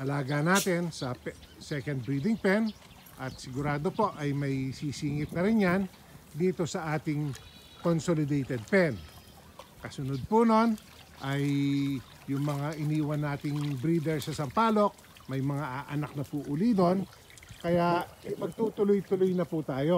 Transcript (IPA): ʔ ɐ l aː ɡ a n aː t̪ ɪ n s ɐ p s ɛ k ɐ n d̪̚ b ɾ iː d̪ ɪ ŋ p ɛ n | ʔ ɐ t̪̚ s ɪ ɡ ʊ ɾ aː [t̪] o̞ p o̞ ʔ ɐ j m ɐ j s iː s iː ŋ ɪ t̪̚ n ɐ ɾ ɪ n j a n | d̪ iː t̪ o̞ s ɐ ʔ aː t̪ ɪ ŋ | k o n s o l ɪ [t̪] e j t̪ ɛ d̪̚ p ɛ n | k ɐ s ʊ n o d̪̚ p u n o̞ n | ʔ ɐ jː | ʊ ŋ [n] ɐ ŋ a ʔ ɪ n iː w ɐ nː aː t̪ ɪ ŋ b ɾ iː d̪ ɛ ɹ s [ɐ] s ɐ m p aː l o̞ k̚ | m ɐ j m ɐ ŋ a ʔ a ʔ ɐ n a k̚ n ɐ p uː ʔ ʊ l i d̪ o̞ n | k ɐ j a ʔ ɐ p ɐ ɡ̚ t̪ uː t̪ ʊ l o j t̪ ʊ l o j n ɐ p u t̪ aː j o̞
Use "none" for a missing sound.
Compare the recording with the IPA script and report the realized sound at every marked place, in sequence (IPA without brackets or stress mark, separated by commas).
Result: d̪, d̪, m, ɐ